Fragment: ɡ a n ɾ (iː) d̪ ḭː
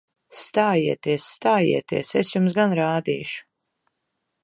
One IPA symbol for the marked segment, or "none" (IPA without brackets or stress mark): aː